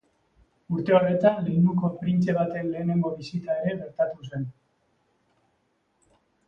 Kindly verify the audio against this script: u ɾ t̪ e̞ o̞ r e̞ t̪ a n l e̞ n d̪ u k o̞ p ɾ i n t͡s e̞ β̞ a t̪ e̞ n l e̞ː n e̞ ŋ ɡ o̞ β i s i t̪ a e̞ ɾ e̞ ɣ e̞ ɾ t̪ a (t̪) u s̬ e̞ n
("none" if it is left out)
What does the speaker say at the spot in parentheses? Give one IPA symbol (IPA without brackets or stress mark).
t̪